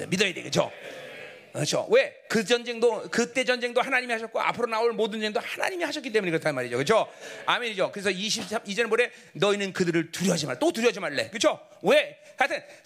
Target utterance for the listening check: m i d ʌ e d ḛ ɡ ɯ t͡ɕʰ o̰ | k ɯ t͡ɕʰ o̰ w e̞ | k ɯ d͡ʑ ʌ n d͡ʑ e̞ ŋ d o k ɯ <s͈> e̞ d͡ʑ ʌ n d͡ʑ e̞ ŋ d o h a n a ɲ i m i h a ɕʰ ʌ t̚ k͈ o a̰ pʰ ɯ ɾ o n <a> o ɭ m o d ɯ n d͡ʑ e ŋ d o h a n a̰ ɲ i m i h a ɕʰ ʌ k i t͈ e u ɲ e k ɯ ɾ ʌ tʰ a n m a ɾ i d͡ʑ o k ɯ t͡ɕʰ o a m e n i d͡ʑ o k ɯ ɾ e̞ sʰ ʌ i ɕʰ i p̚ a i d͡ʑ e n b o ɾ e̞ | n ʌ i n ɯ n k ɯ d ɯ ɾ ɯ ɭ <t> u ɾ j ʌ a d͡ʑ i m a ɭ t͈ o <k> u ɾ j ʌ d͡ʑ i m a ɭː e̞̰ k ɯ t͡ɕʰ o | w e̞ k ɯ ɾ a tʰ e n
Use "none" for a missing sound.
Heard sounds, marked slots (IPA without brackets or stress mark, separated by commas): t͈, a, t, t